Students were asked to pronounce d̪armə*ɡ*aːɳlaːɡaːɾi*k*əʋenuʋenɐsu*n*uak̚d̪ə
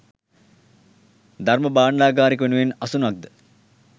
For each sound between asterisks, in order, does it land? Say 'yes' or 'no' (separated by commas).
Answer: no, yes, yes